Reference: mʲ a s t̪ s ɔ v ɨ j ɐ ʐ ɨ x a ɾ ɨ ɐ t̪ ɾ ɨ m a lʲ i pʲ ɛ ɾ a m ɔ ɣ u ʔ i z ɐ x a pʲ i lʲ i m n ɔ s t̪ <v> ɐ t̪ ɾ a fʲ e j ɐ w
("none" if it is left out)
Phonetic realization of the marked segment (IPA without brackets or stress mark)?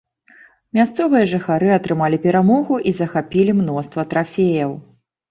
v